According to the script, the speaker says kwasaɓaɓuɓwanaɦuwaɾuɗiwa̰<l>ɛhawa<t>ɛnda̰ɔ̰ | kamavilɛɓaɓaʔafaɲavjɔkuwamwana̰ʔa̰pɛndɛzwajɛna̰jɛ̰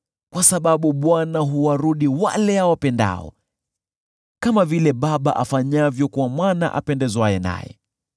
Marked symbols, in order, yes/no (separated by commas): yes, no